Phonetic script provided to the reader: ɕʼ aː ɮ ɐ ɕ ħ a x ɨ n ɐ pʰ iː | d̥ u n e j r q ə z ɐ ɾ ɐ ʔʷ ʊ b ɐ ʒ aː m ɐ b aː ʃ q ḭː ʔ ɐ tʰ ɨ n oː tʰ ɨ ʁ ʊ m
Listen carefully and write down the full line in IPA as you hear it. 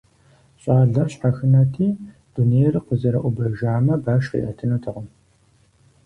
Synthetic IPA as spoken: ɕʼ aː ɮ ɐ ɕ ħ a x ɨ n ɐ tʰ iː | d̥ u n e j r q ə z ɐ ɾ ɐ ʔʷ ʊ b ɐ ʒ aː m ɐ b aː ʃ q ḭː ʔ ɐ tʰ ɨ n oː tʰ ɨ ʁ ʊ m